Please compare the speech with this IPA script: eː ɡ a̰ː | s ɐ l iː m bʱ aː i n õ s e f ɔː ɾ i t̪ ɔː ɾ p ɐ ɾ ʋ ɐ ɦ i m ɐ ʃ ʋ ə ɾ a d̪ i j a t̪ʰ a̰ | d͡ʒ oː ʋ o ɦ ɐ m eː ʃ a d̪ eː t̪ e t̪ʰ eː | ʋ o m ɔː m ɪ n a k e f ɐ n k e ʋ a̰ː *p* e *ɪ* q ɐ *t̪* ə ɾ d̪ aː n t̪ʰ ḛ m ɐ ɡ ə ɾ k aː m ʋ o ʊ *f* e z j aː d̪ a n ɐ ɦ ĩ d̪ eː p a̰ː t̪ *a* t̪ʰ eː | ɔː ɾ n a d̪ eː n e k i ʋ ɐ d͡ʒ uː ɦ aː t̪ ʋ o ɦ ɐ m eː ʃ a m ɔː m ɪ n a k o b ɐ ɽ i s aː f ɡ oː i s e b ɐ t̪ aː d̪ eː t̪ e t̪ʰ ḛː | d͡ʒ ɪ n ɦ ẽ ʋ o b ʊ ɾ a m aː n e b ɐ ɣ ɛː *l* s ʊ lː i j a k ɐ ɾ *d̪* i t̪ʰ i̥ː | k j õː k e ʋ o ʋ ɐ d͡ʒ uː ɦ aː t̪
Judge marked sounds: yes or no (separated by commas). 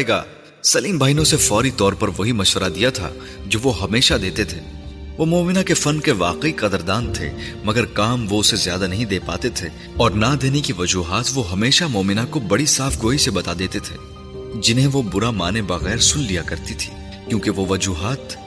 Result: no, no, no, no, no, no, no